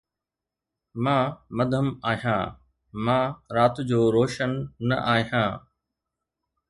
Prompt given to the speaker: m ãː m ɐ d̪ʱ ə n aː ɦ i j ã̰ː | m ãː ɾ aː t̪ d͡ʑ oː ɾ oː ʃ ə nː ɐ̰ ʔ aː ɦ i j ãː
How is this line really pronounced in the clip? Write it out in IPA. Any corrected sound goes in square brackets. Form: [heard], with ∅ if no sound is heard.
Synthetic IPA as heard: m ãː m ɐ d̪ʱ ə [m] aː ɦ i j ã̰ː | m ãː ɾ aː t̪ d͡ʑ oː ɾ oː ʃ ə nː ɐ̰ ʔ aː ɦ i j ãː